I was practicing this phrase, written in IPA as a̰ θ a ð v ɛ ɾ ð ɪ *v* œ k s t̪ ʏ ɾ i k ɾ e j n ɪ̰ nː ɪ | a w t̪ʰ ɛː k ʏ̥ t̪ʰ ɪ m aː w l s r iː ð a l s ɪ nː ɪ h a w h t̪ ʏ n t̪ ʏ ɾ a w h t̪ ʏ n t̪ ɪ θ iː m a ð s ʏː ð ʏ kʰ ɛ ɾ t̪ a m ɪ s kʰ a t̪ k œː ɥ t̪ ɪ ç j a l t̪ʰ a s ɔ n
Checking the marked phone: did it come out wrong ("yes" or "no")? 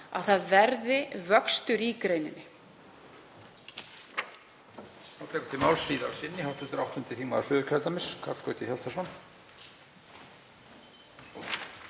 no